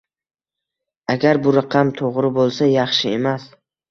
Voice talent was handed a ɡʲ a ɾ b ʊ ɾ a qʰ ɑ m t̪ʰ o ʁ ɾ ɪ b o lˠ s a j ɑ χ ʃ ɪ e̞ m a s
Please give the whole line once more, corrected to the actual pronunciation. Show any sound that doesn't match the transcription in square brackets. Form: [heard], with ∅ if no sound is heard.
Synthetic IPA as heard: a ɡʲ a ɾ b ʊ ɾ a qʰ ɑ m t̪ʰ o ʁ ɾ ɪ b o lˠ s a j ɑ χ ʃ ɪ e̞ m a s